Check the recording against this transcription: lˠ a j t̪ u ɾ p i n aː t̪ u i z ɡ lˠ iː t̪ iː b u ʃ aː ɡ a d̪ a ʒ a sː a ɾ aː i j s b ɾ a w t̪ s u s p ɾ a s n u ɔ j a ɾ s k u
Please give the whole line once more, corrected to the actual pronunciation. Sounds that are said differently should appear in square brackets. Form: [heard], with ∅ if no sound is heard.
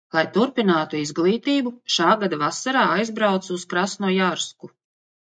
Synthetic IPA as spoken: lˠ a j t̪ u ɾ p i n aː t̪ u i z ɡ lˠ iː t̪ iː b u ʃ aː ɡ a d̪ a [v] a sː a ɾ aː [a] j [z] b ɾ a w t̪ s u s [k] ɾ a s n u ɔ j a ɾ s k u